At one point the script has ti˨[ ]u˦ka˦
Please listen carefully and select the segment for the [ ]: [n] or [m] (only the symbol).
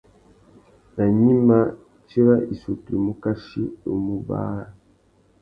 m